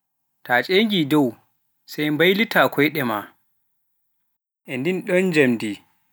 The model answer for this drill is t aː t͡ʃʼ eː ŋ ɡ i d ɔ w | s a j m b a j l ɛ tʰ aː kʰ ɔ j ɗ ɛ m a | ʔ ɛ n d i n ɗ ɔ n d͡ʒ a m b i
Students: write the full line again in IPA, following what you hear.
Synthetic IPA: t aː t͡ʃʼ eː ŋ ɡ i d ɔ w | s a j m b a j l i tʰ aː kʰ ɔ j ɗ ɛ m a | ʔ ɛ n d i n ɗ ɔ n d͡ʒ a m d i